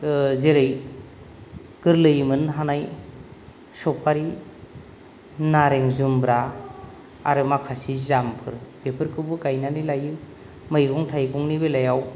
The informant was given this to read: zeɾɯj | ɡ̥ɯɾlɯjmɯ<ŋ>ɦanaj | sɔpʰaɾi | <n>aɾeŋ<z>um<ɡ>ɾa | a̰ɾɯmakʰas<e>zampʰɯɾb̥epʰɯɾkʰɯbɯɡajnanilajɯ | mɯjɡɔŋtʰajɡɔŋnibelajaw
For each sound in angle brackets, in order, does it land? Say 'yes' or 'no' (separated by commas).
no, yes, yes, no, no